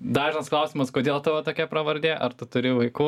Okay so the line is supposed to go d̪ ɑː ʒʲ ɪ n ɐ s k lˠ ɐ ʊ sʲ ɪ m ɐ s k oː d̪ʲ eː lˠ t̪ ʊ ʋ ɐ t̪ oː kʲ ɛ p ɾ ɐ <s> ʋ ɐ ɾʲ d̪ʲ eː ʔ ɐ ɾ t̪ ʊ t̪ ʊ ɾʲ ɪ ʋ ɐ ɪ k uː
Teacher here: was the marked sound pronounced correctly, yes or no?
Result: no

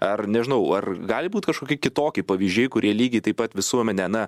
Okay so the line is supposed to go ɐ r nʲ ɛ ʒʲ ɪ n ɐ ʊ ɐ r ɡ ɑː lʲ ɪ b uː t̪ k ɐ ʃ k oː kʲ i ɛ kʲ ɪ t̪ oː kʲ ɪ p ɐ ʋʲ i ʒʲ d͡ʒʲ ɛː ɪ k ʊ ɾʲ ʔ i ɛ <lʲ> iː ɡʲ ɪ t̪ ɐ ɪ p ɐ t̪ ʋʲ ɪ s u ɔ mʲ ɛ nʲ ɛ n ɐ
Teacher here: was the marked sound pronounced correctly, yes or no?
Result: yes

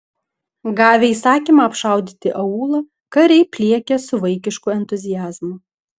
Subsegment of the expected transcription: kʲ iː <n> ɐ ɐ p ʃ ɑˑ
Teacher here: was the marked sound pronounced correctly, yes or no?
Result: no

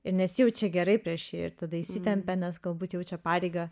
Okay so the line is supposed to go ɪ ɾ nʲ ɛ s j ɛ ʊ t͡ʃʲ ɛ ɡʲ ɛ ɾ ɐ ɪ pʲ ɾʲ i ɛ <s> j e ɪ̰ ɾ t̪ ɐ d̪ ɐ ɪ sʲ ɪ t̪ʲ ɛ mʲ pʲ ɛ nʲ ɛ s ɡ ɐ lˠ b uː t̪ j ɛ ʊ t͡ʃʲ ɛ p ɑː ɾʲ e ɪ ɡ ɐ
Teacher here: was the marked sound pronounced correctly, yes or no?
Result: no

